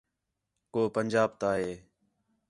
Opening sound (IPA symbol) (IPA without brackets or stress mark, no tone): k